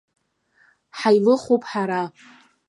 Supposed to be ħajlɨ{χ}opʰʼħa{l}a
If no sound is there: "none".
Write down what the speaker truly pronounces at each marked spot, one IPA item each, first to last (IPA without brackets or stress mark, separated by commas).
χ, ɾ